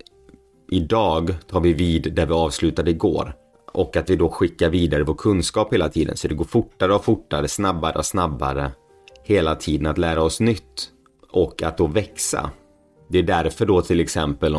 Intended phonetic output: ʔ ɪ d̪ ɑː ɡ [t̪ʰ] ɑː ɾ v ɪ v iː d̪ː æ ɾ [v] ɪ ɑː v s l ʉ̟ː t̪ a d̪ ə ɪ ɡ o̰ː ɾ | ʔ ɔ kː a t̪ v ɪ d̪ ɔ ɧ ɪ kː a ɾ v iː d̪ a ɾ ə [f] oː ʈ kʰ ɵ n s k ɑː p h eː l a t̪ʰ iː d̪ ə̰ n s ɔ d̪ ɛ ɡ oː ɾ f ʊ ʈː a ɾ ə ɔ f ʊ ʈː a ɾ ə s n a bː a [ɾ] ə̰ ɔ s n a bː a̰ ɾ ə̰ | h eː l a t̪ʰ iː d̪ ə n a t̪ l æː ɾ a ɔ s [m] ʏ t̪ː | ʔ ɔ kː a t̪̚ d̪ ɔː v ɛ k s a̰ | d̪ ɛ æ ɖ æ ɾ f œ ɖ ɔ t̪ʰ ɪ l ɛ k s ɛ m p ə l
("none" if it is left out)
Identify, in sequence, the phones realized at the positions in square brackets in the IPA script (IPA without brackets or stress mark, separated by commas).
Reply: t̪ʰ, v, v, ɾ, n